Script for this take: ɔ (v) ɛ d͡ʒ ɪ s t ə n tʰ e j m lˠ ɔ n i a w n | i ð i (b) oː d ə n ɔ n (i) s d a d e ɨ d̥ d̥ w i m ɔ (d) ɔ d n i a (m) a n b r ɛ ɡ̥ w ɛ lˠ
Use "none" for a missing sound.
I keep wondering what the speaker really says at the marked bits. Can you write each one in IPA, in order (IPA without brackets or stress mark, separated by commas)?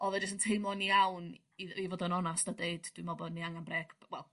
ð, v, a, b, ŋ